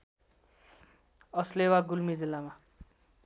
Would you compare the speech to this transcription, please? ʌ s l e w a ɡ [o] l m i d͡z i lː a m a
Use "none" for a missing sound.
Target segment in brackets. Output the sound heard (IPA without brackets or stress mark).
u